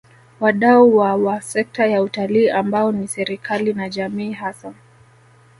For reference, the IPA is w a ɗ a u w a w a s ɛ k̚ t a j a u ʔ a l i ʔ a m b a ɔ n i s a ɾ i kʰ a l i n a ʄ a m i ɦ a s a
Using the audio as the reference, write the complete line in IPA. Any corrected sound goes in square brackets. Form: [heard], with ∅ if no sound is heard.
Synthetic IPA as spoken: w a ɗ a u w a w a s ɛ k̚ t a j a u [t] a l [iː] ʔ a m b a ɔ n i s [ɛ] ɾ i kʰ a l i n a ʄ a m [iː] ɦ a s a